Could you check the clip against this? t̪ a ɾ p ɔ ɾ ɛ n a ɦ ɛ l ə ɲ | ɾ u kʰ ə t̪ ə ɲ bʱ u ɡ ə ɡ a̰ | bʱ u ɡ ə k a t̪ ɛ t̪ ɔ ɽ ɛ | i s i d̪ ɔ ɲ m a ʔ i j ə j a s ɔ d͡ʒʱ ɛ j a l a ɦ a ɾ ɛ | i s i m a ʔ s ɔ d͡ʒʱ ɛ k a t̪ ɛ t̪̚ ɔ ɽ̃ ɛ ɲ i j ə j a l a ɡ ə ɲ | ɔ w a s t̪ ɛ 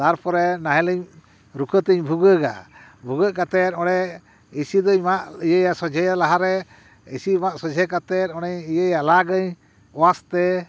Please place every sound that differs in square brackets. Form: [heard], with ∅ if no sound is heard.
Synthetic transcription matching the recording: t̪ a ɾ p ɔ ɾ ɛ n a ɦ ɛ l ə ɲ | ɾ u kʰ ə t̪ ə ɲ bʱ u ɡ ə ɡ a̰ | bʱ u ɡ ə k a t̪ ɛ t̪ ɔ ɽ ɛ | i s i d̪ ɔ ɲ m a ʔ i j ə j a s ɔ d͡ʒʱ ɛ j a l a ɦ a ɾ ɛ | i s i m a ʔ s ɔ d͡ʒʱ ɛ k a t̪ ɛ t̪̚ ɔ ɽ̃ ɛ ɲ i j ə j a l a ɡ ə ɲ | ɔ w a s t̪ ɛ